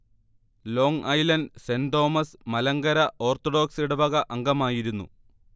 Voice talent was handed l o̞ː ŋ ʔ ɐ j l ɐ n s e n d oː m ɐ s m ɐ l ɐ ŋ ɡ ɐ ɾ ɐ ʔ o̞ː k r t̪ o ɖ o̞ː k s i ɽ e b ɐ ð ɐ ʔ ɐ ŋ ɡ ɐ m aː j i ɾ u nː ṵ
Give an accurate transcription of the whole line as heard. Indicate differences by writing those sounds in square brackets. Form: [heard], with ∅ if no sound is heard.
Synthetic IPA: l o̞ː ŋ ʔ ɐ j l ɐ n s e n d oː m ɐ s m ɐ l ɐ ŋ ɡ ɐ ɾ ɐ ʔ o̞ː [∅] r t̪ o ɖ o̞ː k s i ɽ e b ɐ [ɣ] ɐ ʔ ɐ ŋ ɡ ɐ m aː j i ɾ u nː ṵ